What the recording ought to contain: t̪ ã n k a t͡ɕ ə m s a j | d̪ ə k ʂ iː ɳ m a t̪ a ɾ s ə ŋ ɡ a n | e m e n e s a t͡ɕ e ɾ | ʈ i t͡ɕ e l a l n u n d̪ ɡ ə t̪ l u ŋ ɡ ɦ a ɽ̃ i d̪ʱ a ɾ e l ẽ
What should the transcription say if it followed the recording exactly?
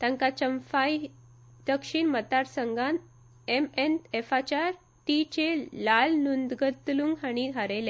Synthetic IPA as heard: t̪ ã ŋ k a t͡ɕ ə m f a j | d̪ ə k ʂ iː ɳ m ə t̪ a ɾ s ə ŋ ɡ a n | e m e n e f a t͡ɕ a ɾ | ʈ i t͡ɕ e l a l n u n d̪ ɡ ə t̪ l u ŋ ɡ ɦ a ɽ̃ i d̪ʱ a ɾ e l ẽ